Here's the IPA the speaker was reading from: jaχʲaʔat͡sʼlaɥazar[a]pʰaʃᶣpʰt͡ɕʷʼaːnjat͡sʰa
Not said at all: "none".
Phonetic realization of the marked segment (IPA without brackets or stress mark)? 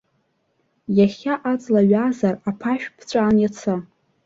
a